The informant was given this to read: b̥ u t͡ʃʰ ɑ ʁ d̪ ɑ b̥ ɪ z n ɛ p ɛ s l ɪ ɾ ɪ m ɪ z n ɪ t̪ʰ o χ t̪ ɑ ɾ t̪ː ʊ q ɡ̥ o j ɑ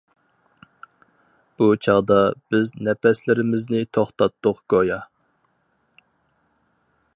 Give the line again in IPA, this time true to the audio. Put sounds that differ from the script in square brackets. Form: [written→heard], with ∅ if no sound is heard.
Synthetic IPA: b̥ u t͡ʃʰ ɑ ʁ d̪ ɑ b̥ ɪ z n ɛ p ɛ s l ɪ ɾ ɪ m ɪ z n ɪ t̪ʰ o χ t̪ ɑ [ɾ→∅] t̪ː ʊ q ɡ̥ o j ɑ

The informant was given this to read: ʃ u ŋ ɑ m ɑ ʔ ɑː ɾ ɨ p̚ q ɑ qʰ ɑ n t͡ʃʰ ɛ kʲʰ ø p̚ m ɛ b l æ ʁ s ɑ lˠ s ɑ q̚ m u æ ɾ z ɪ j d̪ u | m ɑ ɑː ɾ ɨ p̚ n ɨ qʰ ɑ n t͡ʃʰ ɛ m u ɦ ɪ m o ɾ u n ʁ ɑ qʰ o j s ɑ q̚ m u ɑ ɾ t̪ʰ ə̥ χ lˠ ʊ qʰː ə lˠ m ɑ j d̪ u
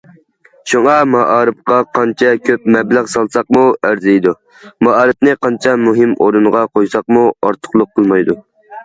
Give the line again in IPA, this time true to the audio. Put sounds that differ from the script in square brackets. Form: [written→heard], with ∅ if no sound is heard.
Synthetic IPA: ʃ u ŋ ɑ m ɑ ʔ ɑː ɾ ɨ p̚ q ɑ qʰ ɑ n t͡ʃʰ ɛ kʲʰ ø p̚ m ɛ b l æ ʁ s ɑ lˠ s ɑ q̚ m u æ ɾ z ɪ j d̪ u | m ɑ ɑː ɾ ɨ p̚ n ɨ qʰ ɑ n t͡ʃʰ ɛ m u ɦ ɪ m o ɾ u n ʁ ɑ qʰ o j s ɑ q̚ m u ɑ ɾ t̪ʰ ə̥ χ lˠ ʊ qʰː ə lˠ m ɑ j d̪ u

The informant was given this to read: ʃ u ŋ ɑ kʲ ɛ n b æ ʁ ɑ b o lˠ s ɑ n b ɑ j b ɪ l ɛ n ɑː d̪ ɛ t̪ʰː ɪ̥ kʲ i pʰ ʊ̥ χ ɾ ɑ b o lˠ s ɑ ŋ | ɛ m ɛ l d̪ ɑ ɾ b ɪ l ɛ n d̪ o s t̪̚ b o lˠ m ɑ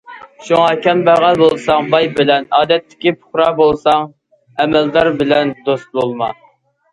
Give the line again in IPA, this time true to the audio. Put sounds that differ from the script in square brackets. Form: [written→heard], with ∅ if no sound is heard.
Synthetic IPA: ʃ u ŋ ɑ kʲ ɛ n b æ ʁ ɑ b o lˠ s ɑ [n→ŋ] b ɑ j b ɪ l ɛ n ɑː d̪ ɛ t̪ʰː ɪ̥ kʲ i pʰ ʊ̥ χ ɾ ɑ b o lˠ s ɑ ŋ | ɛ m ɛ l d̪ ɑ ɾ b ɪ l ɛ n d̪ o s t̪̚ b o lˠ m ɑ

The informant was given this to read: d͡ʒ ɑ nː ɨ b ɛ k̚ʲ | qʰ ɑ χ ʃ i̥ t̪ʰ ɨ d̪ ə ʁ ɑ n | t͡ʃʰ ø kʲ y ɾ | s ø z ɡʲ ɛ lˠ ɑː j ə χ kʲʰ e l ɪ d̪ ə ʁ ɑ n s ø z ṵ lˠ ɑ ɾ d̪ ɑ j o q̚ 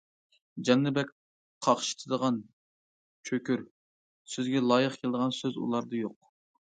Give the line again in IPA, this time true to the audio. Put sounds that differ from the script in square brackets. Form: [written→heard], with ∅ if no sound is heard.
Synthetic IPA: d͡ʒ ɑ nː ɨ b ɛ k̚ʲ | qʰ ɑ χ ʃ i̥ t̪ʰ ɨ d̪ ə ʁ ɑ n | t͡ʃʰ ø kʲ y ɾ | s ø z ɡʲ ɛ lˠ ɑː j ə χ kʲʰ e l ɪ d̪ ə ʁ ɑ n s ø z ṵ lˠ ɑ ɾ d̪ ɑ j o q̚

